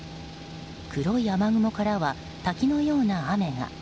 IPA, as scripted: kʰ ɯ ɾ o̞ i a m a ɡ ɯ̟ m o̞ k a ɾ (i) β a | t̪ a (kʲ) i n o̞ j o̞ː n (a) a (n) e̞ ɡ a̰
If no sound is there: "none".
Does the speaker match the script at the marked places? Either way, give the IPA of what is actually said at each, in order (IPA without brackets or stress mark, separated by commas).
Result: a, kʲ, a, m